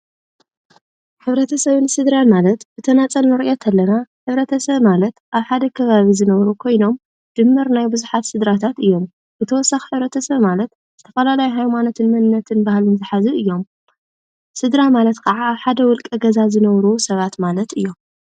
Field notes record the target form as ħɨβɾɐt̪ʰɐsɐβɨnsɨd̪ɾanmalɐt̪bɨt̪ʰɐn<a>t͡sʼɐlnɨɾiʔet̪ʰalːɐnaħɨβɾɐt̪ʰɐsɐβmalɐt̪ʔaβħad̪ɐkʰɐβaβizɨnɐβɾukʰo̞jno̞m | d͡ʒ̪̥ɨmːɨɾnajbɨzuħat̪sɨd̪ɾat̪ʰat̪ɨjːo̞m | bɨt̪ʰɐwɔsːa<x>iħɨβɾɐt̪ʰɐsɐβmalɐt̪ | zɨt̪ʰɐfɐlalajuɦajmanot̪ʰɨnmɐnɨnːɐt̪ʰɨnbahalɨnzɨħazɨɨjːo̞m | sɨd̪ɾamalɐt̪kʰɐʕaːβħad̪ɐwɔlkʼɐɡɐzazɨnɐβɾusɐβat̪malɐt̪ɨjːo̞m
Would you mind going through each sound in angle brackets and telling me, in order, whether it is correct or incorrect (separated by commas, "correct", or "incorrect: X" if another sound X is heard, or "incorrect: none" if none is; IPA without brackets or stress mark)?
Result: correct, correct